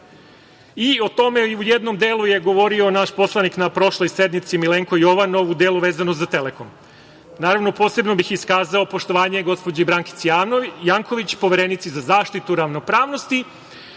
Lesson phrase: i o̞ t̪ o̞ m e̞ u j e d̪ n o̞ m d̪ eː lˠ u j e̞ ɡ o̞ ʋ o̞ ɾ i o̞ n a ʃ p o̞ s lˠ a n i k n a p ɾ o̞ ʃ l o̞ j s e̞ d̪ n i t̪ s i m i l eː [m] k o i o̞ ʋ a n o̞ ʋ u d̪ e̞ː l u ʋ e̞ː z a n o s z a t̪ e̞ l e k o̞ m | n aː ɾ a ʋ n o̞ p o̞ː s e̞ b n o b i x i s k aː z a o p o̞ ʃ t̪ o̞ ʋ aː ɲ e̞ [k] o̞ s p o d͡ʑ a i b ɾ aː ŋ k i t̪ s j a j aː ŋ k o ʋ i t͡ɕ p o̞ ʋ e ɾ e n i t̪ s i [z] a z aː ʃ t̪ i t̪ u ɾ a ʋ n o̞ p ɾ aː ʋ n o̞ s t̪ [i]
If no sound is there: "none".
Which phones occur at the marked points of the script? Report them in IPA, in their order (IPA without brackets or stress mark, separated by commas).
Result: ŋ, ɡ, z, i